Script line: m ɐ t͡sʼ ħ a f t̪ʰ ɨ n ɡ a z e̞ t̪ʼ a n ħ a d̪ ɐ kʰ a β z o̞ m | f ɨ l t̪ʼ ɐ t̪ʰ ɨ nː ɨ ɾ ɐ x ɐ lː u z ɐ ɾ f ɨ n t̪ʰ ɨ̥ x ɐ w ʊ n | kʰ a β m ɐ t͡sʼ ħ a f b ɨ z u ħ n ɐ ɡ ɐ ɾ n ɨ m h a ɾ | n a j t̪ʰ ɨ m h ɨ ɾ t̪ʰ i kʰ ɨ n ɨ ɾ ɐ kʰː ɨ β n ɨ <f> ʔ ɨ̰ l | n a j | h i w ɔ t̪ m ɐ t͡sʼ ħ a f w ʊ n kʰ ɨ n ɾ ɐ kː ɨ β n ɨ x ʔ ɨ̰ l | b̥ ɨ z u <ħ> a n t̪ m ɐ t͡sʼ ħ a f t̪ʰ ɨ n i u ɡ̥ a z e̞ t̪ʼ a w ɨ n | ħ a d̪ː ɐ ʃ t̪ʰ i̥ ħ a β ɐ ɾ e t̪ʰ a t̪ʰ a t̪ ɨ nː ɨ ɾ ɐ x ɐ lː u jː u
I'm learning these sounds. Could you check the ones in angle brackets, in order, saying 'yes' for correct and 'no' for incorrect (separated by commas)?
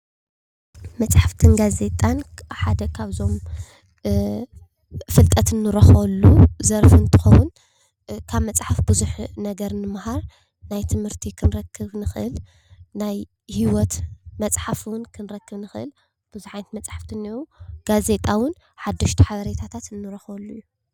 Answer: no, yes